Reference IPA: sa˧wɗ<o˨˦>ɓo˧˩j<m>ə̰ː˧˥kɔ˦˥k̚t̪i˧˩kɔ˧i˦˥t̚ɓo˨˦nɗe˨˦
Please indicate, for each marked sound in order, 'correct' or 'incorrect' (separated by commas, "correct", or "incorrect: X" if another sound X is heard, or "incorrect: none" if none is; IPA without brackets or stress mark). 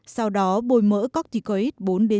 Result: incorrect: ɔ˨˦, correct